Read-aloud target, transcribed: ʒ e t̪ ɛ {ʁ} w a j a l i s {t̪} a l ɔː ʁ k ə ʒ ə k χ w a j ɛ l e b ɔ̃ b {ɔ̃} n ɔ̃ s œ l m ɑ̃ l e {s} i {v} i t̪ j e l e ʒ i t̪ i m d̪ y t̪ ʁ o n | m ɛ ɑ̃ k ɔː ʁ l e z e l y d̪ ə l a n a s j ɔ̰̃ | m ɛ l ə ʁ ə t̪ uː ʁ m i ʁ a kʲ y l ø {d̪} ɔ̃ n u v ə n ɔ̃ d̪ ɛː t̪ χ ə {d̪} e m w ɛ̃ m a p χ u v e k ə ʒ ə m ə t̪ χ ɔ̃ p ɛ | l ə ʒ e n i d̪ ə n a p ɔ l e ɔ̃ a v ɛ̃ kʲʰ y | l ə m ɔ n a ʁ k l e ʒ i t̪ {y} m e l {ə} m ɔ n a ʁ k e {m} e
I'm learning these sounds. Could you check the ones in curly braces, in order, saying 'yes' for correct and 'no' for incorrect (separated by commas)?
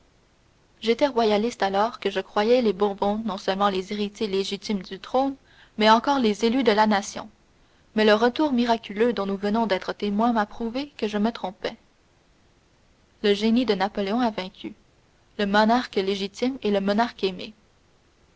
yes, yes, yes, no, no, yes, no, no, yes, yes